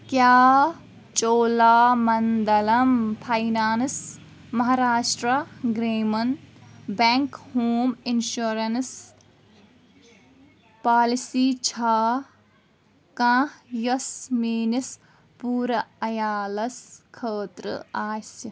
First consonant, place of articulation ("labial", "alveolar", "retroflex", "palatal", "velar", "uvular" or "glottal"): velar